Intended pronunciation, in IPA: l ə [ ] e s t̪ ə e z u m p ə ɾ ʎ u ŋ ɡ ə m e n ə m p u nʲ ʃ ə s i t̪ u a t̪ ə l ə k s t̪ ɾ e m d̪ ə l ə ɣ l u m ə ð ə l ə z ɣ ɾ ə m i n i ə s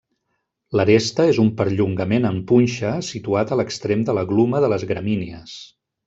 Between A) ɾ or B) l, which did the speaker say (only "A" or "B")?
A